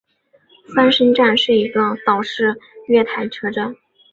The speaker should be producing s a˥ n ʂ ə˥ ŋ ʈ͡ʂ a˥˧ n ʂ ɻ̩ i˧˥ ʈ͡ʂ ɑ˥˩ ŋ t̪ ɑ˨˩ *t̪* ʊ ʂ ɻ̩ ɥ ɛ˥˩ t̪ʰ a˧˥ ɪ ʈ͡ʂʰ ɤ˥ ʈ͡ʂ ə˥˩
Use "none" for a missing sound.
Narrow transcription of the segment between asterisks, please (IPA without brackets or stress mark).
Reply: none